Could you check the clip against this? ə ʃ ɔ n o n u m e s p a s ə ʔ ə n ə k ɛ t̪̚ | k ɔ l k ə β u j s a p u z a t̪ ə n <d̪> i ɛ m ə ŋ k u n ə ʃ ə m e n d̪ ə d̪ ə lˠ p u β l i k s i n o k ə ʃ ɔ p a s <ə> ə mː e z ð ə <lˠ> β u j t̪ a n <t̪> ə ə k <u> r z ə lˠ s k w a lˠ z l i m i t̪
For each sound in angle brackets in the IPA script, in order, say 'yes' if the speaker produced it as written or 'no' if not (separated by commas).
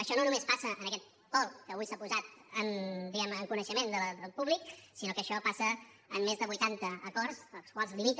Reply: yes, yes, no, yes, no